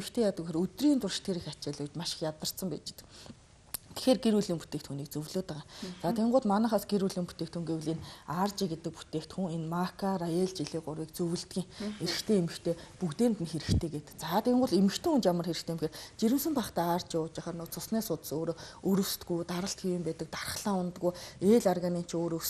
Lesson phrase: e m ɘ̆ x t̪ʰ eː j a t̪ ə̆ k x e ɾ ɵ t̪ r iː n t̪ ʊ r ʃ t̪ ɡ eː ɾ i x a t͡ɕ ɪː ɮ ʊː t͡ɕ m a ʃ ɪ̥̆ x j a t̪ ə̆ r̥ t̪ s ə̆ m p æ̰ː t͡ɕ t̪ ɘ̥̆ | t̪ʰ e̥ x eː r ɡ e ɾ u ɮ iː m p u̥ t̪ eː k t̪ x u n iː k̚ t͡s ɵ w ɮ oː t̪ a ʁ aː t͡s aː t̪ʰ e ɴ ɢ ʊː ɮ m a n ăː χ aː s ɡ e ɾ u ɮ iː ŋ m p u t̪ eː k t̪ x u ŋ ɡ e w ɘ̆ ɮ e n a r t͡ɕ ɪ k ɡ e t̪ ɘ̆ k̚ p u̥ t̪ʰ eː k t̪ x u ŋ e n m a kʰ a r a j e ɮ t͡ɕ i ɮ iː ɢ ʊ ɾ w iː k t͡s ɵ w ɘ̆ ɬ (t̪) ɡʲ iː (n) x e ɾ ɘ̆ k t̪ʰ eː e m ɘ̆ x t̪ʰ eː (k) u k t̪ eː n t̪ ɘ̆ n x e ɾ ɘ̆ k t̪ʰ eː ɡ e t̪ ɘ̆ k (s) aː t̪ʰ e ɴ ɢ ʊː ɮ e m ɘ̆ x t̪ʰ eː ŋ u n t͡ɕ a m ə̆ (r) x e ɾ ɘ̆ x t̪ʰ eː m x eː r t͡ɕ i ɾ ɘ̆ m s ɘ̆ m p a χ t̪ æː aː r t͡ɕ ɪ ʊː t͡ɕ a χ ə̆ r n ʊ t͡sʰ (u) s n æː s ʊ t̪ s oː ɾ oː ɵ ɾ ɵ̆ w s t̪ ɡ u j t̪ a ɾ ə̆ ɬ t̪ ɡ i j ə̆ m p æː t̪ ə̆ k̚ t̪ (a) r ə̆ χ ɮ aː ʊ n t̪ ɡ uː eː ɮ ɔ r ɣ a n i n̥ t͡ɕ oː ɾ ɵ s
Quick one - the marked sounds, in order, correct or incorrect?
correct, incorrect: ŋ, incorrect: p, incorrect: t͡s, correct, incorrect: ʊ, correct

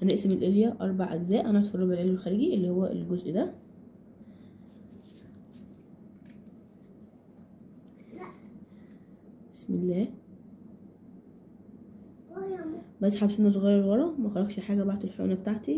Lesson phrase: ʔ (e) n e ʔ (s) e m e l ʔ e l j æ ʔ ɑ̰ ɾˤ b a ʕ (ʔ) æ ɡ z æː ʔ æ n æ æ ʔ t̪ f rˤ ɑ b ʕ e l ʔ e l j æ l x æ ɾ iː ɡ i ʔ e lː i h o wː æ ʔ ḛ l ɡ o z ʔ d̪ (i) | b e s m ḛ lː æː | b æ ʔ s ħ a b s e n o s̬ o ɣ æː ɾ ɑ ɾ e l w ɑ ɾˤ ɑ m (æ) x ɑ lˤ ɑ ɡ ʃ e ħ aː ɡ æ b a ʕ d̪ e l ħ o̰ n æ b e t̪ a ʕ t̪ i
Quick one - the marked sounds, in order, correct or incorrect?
incorrect: æ, correct, correct, incorrect: æ, correct

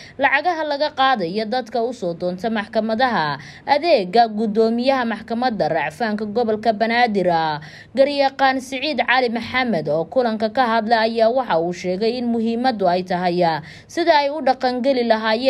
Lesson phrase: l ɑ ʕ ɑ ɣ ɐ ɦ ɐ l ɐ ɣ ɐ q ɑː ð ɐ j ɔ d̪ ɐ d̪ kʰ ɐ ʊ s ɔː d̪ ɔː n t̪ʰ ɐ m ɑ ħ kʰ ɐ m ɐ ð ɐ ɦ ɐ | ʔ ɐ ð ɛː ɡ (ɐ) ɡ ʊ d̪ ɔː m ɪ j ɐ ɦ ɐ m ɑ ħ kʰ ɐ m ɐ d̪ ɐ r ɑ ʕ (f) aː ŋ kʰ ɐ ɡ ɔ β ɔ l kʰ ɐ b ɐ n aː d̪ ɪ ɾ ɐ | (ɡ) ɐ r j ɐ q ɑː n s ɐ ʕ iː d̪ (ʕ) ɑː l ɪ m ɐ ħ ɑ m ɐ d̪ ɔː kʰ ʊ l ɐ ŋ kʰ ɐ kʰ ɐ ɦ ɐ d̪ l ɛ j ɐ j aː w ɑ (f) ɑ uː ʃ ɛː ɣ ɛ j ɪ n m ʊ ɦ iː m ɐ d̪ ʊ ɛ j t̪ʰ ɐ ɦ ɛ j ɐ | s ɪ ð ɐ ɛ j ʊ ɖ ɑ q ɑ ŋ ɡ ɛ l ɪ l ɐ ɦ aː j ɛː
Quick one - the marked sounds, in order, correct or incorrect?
correct, correct, correct, correct, incorrect: ħ

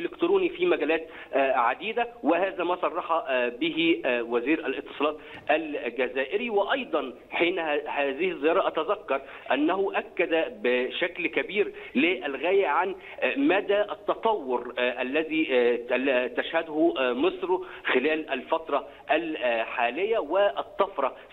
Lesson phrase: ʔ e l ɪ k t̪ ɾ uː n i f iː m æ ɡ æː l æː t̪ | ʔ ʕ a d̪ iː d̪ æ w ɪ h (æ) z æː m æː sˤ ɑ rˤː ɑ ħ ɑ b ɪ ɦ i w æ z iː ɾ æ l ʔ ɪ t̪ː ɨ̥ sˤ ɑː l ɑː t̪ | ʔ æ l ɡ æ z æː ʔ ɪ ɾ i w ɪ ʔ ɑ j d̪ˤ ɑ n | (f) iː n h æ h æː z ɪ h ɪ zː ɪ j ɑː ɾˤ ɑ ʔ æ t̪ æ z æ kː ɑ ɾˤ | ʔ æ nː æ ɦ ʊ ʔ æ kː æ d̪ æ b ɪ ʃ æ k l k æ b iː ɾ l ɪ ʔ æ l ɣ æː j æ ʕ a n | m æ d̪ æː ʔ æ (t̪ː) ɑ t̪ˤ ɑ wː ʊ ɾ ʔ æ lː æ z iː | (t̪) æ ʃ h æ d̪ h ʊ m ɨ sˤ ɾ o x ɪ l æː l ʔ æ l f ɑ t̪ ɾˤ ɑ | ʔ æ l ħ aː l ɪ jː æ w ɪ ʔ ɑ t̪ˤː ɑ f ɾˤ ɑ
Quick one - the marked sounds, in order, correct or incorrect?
incorrect: æː, incorrect: ħ, correct, correct

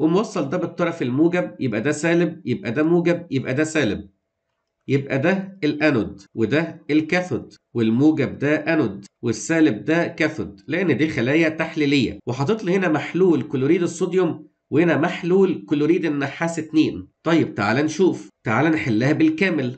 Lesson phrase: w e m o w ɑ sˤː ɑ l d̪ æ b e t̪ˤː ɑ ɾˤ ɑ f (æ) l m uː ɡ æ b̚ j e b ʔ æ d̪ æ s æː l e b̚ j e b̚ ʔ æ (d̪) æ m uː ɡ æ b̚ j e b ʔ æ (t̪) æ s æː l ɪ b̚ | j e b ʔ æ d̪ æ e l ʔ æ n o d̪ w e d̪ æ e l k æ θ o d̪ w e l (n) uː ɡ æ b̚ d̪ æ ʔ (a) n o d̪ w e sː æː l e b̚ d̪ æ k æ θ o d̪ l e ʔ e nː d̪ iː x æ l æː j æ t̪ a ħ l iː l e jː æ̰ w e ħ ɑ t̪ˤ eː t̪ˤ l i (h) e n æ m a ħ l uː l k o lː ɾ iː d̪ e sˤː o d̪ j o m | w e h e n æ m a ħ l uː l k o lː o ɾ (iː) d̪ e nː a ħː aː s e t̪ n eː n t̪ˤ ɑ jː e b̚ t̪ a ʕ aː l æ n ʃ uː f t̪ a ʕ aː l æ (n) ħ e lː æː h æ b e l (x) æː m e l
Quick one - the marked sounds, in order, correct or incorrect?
incorrect: e, correct, incorrect: d̪, incorrect: m, incorrect: æ, correct, correct, correct, incorrect: k

